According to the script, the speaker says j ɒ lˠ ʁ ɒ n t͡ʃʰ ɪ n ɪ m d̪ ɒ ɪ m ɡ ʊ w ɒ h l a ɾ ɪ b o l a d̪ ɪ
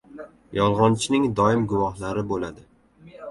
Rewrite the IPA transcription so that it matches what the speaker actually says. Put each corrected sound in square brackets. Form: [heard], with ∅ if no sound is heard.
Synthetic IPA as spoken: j ɒ lˠ ʁ ɒ n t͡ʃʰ ɪ n ɪ [ŋ] d̪ ɒ ɪ m ɡ ʊ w ɒ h l a ɾ ɪ b o l a d̪ ɪ